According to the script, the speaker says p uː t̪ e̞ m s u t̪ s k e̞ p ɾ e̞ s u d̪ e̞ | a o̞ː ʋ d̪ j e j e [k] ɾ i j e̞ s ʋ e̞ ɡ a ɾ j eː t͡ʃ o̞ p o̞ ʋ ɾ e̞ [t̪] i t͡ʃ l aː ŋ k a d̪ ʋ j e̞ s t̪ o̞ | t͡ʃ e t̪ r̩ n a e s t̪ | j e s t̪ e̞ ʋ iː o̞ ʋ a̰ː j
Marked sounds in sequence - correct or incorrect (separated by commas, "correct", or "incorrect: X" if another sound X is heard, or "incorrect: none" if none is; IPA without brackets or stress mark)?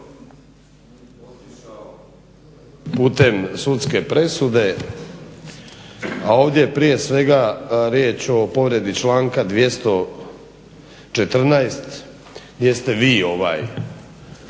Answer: incorrect: p, incorrect: d̪